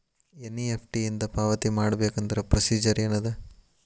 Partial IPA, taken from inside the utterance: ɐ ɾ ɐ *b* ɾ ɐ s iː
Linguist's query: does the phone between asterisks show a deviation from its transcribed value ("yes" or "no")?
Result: yes